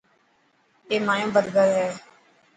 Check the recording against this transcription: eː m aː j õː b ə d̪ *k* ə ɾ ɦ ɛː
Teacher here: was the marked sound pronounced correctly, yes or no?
no